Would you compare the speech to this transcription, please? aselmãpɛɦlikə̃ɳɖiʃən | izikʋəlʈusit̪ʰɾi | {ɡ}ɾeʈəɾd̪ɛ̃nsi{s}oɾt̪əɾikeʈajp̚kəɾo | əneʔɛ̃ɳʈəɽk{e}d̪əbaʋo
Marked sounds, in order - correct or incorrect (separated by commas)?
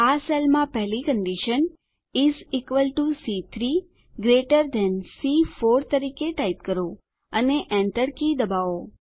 correct, incorrect, incorrect